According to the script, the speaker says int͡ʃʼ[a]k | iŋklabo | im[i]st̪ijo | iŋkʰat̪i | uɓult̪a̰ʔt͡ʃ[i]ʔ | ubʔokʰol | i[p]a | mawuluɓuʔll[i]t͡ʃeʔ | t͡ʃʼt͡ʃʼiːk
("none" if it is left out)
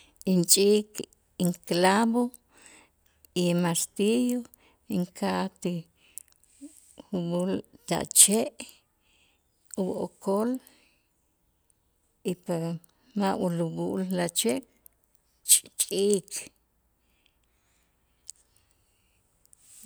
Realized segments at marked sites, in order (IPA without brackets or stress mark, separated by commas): i, a, e, p, a